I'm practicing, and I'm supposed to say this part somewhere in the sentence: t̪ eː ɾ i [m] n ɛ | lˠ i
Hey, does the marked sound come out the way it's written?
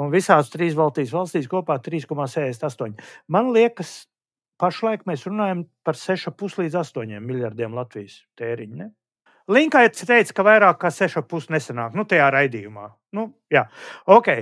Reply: no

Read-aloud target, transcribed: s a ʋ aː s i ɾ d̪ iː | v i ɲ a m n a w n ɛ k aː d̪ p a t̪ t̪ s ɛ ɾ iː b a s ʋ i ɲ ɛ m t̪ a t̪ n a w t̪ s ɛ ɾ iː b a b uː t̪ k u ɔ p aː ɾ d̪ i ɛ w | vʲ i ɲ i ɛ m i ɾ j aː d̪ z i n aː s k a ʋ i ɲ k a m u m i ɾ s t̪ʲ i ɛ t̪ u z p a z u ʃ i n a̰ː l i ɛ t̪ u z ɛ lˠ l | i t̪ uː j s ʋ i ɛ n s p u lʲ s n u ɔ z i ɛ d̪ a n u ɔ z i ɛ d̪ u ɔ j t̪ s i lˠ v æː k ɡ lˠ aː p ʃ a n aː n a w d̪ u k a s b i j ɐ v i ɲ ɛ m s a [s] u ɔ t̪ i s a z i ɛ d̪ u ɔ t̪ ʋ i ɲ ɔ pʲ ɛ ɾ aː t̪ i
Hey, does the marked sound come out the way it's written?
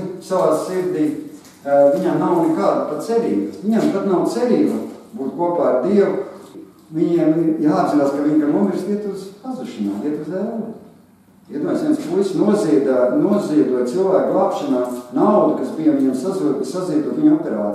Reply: no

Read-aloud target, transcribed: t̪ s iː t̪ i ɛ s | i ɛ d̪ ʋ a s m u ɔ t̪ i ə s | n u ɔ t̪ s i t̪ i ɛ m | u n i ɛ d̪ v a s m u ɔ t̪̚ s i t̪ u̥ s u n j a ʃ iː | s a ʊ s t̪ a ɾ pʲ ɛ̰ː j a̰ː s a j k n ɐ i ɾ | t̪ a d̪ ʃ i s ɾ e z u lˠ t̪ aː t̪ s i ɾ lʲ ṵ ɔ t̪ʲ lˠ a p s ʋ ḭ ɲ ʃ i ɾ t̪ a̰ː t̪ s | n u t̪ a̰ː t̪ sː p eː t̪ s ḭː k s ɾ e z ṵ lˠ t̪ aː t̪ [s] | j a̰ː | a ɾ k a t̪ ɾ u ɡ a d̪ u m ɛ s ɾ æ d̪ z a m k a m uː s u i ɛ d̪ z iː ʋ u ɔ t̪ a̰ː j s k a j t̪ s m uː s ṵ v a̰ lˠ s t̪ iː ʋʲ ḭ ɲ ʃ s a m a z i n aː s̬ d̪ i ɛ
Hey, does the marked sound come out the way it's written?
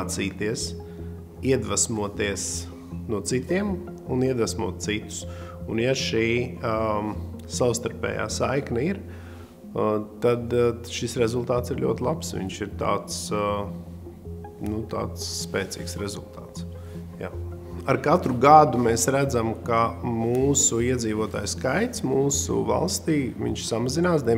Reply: yes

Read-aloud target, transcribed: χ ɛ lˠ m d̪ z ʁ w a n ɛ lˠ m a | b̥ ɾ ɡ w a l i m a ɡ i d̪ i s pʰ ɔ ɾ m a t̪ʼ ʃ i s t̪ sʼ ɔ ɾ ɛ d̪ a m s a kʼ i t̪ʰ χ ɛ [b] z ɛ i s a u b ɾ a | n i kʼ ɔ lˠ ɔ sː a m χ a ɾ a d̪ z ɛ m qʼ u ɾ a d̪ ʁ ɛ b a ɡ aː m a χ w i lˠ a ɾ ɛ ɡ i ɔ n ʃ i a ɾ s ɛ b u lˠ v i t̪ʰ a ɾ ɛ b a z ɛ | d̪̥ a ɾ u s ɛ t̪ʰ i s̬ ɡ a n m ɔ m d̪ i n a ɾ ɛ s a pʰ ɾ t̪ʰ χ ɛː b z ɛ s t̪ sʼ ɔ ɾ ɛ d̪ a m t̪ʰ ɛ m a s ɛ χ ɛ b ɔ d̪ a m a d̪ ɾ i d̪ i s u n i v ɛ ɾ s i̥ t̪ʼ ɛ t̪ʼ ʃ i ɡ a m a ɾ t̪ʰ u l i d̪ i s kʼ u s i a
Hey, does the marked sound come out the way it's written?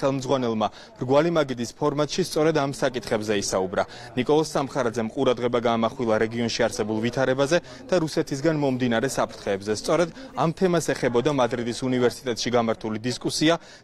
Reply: yes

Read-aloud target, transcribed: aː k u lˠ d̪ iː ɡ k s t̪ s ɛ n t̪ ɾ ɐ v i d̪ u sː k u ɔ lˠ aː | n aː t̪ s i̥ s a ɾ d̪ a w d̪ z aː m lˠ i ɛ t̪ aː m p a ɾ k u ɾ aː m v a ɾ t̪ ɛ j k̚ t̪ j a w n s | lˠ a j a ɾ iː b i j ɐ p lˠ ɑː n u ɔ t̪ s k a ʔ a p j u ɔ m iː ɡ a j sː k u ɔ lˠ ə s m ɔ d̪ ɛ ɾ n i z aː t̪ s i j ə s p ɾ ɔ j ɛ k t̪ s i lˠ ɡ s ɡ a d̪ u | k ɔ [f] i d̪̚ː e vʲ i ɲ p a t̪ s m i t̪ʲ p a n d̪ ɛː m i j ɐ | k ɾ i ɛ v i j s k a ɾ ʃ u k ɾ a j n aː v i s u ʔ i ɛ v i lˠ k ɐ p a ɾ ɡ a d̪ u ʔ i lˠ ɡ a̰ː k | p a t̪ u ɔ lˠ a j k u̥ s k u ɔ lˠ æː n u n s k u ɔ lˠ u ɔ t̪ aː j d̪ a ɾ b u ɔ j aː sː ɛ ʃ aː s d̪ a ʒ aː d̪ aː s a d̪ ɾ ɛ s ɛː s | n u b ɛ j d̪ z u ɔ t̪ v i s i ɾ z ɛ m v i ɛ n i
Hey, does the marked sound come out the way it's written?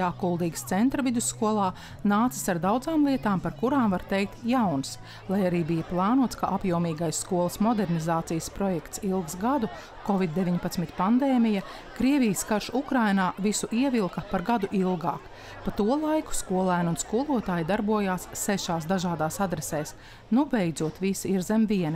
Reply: no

